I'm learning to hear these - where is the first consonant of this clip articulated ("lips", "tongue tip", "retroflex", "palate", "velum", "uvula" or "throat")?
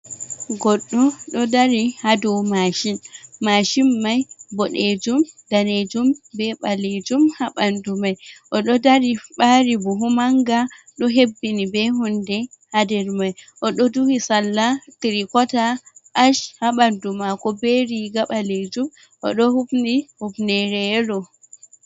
velum